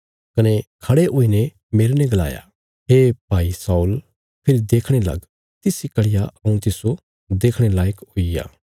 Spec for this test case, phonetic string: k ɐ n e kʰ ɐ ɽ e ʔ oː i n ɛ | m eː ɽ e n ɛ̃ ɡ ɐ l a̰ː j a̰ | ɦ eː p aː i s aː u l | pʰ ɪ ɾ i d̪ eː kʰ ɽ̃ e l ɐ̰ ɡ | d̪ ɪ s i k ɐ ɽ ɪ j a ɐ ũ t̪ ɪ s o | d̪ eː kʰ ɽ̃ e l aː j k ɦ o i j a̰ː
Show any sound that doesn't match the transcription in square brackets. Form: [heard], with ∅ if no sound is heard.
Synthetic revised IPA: k ɐ n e kʰ ɐ ɽ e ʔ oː i n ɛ | m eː [ɾ] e n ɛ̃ ɡ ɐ l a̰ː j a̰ | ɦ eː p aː i s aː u l | pʰ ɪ ɾ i d̪ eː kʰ ɽ̃ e l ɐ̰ ɡ | [t̪] ɪ s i k ɐ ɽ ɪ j a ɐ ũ t̪ ɪ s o | d̪ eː kʰ ɽ̃ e l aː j k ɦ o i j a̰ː